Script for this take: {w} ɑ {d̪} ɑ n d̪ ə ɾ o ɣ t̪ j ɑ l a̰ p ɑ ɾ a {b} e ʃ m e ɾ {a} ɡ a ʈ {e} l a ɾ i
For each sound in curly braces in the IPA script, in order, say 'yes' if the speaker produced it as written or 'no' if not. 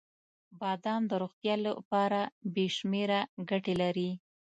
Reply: no, yes, yes, yes, yes

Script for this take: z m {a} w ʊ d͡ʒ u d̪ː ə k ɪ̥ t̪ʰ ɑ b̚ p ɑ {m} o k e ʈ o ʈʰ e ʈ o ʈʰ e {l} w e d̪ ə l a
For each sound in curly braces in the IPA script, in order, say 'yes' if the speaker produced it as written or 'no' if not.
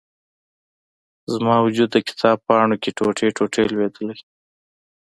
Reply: no, no, yes

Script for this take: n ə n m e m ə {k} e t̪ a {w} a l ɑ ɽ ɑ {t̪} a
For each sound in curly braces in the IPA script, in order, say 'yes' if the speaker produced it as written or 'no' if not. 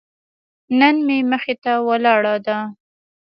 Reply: no, yes, no

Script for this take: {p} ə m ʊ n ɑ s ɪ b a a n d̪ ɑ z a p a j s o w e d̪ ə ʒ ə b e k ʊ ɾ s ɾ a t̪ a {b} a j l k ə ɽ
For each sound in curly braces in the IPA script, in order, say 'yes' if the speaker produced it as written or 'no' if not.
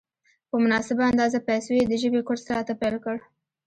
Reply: yes, no

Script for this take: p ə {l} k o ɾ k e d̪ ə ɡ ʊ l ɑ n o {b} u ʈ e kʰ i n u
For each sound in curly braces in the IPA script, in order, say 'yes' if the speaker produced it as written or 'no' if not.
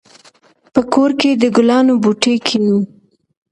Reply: no, yes

